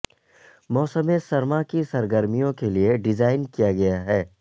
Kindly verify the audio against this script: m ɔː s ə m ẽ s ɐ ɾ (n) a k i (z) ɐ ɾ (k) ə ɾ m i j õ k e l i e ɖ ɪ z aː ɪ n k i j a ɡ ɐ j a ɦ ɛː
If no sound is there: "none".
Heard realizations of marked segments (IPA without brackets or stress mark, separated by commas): m, s, ɡ